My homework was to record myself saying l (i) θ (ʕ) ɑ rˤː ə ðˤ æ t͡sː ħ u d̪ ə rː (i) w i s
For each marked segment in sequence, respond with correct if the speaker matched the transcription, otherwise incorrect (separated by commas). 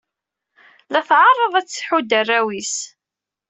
incorrect, correct, incorrect